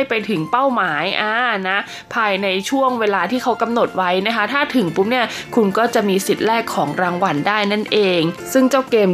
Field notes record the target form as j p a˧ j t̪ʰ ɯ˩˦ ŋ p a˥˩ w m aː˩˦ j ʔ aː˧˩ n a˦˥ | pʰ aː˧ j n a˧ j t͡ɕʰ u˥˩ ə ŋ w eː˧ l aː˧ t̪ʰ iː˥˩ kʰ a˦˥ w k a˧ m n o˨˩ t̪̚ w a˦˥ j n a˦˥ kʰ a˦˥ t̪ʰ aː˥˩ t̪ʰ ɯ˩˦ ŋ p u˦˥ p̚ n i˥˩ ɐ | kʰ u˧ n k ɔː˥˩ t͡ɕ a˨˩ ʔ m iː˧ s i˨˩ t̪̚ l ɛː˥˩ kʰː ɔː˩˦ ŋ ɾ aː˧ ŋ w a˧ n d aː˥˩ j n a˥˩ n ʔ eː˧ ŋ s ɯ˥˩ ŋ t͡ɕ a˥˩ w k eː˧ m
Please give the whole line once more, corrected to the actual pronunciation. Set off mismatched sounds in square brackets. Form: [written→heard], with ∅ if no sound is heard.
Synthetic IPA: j p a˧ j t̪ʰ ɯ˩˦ ŋ p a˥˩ w m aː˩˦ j ʔ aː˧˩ n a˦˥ | pʰ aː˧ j n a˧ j t͡ɕʰ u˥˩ ə ŋ w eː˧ l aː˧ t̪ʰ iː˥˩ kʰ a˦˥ w k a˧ m n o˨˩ t̪̚ w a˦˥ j n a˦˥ kʰ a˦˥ t̪ʰ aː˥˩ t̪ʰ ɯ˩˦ ŋ p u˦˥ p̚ n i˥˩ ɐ | kʰ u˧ n k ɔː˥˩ t͡ɕ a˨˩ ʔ m iː˧ s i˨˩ t̪̚ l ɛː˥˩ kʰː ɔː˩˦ ŋ ɾ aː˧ ŋ w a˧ n d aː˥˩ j n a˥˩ n ʔ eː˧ ŋ s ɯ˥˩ ŋ t͡ɕ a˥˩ w k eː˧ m